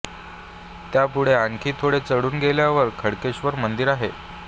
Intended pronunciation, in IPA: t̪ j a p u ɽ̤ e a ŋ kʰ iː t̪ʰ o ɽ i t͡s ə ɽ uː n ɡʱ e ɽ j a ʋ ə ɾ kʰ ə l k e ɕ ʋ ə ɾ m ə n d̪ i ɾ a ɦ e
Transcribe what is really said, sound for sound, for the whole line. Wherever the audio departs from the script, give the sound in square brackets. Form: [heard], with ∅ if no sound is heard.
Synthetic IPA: t̪ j a p u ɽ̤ e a ŋ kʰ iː t̪ʰ o ɽ [e] t͡s ə ɽ uː n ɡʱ e [l] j a ʋ ə ɾ kʰ ə [ɽ] k e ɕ ʋ ə ɾ m ə n d̪ i ɾ a ɦ e